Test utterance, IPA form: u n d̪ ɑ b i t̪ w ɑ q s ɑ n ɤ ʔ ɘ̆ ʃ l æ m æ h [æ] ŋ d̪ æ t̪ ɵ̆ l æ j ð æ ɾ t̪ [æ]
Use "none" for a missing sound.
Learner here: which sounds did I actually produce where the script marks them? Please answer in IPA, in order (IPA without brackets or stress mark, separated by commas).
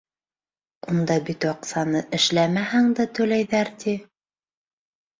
æ, i